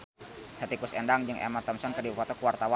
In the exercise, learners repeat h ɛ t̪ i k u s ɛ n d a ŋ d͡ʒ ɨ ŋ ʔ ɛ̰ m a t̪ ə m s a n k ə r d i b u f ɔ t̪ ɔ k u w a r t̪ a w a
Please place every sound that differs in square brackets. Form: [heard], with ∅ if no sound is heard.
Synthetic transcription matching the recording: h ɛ t̪ i k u s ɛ n d a ŋ d͡ʒ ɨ ŋ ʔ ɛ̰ m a t̪ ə m s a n k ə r d i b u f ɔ t̪ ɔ k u w a r t̪ a w a